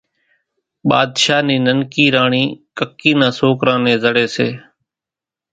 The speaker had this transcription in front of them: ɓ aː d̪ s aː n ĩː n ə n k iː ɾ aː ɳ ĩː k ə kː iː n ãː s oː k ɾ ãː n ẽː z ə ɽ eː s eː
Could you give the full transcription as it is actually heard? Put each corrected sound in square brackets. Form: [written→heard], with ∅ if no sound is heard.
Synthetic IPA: ɓ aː d̪ [s→ʃ] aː n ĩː n ə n k iː ɾ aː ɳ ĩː k ə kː iː n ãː s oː k ɾ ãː n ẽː z ə ɽ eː s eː